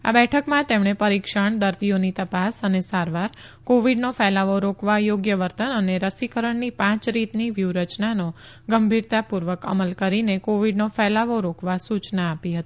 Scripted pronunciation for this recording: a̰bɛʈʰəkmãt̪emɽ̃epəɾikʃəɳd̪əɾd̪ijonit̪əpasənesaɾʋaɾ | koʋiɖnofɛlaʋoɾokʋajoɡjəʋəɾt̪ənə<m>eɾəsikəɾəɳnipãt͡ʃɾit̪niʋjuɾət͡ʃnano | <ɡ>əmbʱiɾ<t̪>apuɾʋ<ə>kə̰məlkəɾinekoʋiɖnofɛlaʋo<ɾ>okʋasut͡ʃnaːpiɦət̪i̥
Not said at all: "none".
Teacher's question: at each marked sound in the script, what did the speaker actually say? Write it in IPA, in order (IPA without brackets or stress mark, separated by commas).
n, ɡ, t̪, ə, ɾ